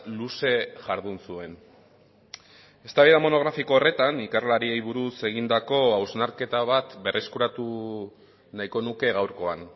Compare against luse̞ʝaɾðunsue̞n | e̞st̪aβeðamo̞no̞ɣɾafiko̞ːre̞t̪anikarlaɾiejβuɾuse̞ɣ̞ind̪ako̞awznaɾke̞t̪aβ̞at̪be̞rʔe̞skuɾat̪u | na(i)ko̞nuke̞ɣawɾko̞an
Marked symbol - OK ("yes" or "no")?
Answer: no